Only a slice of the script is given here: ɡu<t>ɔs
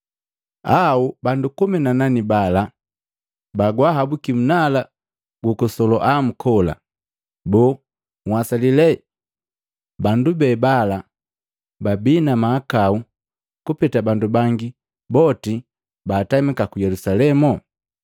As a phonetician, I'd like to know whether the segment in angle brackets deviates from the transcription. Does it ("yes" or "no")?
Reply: yes